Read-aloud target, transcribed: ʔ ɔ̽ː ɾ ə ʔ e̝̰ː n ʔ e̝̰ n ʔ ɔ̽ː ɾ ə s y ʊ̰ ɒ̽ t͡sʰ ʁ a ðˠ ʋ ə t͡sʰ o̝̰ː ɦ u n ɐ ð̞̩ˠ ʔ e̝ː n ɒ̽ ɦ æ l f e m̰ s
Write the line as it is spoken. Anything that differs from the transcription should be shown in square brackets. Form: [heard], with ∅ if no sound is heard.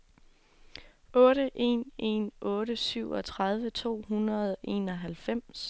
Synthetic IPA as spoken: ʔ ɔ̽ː ɾ ə ʔ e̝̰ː n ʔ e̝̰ n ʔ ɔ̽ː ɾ ə s y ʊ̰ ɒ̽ t͡sʰ ʁ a ðˠ ʋ ə t͡sʰ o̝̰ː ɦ u n ɐ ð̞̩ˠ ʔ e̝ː n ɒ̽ ɦ æ l f e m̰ s